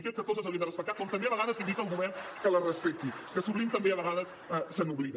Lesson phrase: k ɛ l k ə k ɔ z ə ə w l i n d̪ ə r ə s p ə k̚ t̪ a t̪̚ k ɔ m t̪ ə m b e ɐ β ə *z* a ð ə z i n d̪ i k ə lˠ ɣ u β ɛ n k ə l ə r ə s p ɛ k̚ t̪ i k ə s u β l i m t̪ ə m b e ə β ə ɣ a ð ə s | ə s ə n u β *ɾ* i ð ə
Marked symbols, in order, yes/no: no, no

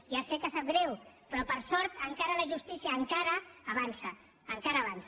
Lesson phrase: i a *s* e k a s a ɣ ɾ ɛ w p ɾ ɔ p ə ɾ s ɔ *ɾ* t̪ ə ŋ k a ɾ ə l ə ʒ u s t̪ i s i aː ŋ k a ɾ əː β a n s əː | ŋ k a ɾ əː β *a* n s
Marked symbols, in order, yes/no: yes, yes, yes

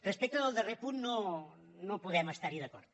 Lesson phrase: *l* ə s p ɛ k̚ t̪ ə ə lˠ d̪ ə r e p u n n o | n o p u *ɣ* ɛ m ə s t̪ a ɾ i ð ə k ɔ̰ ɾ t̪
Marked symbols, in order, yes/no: no, no

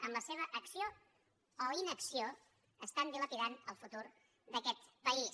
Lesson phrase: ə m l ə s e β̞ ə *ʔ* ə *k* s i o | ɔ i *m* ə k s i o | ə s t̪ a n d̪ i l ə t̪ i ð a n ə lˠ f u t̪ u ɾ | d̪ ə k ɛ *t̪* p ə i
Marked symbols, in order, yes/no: yes, yes, no, yes

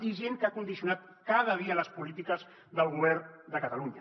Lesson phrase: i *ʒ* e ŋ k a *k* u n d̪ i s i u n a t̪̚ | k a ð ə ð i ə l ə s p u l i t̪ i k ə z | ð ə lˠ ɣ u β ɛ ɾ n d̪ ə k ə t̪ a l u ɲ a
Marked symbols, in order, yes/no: yes, yes

